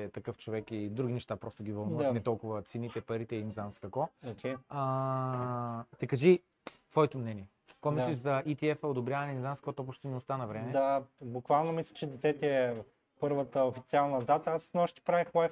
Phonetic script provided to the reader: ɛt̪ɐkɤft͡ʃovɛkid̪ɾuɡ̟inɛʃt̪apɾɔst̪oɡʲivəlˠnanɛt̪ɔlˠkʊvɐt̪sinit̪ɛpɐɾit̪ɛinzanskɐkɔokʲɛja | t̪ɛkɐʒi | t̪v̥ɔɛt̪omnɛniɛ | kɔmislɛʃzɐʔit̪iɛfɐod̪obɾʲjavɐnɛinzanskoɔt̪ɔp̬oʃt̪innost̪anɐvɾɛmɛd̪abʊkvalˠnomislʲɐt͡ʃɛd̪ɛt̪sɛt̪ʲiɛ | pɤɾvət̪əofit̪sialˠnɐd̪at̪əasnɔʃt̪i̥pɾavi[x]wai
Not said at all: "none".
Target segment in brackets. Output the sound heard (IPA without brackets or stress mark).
x